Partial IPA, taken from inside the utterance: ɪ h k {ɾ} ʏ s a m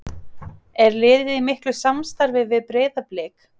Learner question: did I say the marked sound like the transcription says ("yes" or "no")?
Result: no